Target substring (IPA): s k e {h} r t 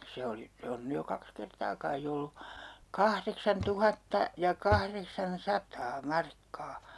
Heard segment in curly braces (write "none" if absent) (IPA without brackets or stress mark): none